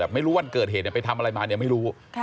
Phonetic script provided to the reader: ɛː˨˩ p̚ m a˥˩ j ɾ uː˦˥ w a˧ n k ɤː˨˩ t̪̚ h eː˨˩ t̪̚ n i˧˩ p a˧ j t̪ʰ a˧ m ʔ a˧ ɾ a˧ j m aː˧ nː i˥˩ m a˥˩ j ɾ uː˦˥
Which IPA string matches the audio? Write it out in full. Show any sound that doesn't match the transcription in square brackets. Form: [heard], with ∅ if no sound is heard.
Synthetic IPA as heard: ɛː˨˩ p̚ m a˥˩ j ɾ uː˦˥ w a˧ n k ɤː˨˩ t̪̚ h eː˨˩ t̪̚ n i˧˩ p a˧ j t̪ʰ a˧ m ʔ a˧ ɾ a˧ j m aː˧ [n] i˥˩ m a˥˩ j ɾ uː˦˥

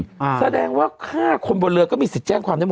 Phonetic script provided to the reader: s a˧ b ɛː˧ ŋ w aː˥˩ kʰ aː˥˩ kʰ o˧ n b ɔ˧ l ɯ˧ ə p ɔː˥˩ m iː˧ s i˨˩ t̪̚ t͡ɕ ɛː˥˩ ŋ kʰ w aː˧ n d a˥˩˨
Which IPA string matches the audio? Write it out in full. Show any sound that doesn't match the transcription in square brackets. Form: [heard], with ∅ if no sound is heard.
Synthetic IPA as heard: s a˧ [d] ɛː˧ ŋ w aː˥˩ kʰ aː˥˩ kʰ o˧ n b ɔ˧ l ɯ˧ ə [k] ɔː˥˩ m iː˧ s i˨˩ t̪̚ t͡ɕ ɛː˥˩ ŋ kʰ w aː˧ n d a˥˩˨

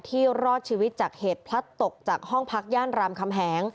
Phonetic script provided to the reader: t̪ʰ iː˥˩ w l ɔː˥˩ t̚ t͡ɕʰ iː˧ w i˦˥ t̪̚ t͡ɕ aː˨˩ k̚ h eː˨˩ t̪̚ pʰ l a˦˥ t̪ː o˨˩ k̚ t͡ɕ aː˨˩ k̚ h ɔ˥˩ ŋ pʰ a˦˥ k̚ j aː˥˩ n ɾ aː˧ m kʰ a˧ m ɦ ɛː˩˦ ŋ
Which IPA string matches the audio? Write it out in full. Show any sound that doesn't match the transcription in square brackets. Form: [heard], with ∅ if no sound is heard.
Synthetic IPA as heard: t̪ʰ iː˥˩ w [ɾ] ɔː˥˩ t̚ t͡ɕʰ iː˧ w i˦˥ t̪̚ t͡ɕ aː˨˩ k̚ h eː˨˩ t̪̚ pʰ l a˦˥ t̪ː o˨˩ k̚ t͡ɕ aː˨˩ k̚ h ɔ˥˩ ŋ pʰ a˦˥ k̚ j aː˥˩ n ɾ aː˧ m kʰ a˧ m ɦ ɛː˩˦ ŋ

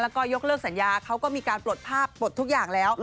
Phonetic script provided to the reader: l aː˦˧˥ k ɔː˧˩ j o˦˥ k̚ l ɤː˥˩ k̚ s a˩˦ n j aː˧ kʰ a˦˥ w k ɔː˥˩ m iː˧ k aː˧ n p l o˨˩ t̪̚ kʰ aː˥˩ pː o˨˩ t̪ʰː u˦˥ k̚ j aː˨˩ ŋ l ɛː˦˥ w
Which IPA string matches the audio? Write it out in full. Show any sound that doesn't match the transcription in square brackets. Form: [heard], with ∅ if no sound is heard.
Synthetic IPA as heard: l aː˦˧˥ k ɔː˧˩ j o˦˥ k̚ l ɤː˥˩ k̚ s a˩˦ n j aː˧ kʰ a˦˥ w k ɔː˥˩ m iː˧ k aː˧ n p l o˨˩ t̪̚ [pʰ] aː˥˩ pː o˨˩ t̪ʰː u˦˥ k̚ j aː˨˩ ŋ l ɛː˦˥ w

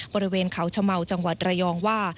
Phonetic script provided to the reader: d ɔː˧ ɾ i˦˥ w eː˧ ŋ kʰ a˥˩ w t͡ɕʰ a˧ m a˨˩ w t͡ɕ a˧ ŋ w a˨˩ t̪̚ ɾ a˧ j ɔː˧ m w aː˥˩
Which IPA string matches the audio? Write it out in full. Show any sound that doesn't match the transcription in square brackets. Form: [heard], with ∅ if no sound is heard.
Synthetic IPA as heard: [b] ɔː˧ ɾ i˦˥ w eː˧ [n] kʰ [a˩˦] w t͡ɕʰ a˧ m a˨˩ w t͡ɕ a˧ ŋ w a˨˩ t̪̚ ɾ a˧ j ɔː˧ [ŋ] w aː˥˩

